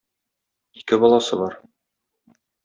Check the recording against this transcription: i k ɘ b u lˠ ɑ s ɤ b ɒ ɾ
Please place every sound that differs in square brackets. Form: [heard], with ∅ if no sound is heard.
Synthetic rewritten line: i k ɘ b [ɒ] lˠ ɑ s ɤ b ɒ ɾ